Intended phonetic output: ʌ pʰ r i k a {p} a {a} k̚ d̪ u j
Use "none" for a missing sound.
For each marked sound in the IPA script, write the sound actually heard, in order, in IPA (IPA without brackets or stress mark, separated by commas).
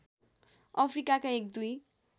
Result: k, e